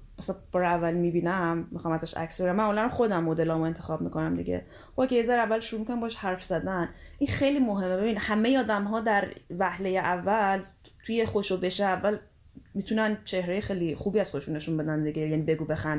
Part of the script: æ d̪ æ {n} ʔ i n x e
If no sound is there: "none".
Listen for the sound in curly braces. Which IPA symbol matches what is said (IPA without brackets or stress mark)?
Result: n